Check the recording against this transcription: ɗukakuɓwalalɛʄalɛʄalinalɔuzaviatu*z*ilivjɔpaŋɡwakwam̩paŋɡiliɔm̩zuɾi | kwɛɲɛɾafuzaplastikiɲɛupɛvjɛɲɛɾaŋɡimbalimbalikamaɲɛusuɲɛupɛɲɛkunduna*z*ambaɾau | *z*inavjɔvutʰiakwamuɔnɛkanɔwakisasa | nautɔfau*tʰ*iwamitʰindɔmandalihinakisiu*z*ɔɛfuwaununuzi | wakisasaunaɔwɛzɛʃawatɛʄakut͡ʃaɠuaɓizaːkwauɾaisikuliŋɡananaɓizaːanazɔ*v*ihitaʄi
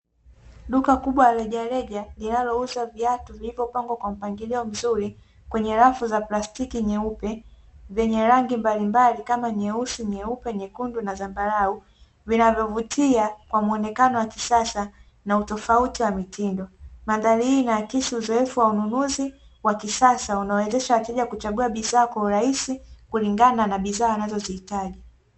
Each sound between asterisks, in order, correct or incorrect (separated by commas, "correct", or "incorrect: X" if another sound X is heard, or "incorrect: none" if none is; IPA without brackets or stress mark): incorrect: v, correct, incorrect: v, incorrect: t, correct, incorrect: z